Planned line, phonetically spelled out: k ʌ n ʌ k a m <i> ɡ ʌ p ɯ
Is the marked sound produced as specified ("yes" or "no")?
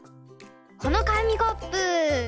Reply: yes